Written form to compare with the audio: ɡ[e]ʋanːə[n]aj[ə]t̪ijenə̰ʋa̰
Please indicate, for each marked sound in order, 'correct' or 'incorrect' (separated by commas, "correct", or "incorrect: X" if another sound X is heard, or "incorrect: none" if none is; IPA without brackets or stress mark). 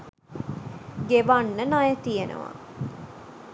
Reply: correct, correct, correct